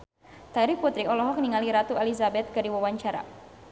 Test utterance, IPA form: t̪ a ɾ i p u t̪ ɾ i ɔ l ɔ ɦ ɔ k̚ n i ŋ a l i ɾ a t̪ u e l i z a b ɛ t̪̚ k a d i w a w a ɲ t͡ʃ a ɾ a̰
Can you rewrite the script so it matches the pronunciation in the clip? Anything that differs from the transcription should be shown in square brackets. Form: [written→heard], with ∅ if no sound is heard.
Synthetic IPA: t̪ a ɾ i p u t̪ ɾ i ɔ l ɔ ɦ ɔ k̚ n i ŋ a l i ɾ a t̪ u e l i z a b ɛ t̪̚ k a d i w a w a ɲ t͡ʃ a ɾ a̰